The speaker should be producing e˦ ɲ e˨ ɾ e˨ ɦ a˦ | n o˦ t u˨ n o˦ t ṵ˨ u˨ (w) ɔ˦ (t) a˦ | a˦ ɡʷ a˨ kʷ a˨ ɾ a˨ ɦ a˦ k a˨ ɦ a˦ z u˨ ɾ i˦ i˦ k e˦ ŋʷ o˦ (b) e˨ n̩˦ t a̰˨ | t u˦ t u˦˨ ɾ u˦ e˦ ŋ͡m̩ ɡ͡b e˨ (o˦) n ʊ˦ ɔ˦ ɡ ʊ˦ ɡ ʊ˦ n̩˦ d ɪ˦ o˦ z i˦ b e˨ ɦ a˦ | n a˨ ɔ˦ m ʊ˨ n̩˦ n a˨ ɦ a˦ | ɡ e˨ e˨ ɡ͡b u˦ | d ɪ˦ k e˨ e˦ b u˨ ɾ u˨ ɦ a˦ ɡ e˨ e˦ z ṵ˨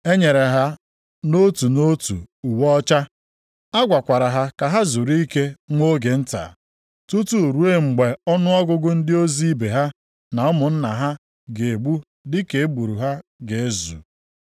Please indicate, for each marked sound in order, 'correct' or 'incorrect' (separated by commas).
correct, incorrect, incorrect, incorrect